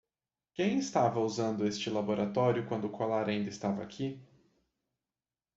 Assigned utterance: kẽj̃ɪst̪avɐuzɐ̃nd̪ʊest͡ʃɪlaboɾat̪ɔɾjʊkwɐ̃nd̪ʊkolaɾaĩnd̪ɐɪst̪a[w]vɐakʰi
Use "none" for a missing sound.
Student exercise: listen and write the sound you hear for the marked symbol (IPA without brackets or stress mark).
none